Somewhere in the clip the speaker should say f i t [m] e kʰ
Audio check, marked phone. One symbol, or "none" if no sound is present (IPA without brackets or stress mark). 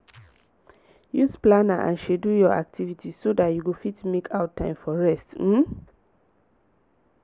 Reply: m